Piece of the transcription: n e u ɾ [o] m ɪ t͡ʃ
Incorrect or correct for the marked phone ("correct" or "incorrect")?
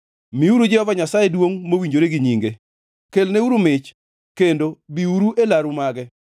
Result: incorrect